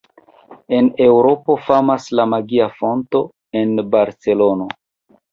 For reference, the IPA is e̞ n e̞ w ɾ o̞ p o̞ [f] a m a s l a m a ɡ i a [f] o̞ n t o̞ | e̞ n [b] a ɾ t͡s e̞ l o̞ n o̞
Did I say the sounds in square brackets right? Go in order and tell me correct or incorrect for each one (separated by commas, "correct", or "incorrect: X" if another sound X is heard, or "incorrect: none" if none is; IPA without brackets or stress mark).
correct, correct, correct